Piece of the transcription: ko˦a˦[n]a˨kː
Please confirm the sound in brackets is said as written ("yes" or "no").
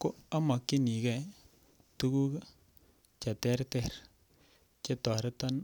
no